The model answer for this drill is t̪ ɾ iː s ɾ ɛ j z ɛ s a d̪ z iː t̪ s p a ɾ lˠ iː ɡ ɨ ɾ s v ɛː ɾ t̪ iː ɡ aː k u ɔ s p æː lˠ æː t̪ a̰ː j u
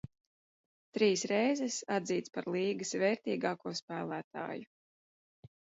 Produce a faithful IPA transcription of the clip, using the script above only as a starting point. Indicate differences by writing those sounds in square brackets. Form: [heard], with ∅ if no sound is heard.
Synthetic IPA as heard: t̪ ɾ iː s ɾ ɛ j z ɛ s a d̪ z iː t̪ s p a ɾ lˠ iː ɡ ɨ [∅] s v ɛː ɾ t̪ iː ɡ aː k u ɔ s p æː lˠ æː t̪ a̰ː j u